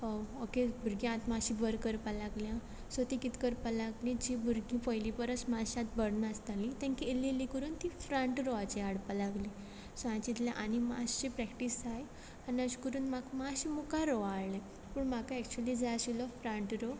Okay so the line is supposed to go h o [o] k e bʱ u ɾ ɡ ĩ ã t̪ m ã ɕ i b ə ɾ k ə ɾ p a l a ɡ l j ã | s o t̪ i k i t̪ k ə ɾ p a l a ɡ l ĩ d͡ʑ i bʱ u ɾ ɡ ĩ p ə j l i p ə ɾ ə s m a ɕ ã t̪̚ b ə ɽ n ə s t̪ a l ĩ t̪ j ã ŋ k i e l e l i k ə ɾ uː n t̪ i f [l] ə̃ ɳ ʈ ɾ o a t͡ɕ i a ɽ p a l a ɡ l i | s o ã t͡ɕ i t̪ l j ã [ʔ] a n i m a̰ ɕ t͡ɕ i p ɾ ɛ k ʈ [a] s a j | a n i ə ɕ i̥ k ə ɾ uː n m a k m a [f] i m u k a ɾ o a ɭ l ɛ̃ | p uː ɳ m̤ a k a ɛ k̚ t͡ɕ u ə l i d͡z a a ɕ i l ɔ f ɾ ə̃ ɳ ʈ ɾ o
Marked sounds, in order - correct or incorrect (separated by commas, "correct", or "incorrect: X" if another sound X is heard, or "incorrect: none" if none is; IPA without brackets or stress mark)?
correct, incorrect: ɾ, correct, incorrect: i, incorrect: ɕ